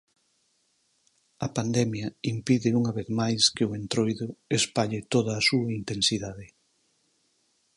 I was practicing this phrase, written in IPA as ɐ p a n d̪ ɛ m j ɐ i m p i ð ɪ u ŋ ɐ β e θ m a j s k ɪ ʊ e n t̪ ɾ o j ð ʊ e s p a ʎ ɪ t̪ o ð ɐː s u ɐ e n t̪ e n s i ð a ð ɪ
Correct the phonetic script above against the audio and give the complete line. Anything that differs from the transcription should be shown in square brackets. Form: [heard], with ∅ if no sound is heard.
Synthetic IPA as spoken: ɐ p a n d̪ ɛ m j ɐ i m p i ð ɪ u ŋ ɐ β e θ m a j s k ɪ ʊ e n t̪ ɾ o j ð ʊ e s p a ʎ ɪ t̪ o ð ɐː s u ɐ [i] n t̪ e n s i ð a ð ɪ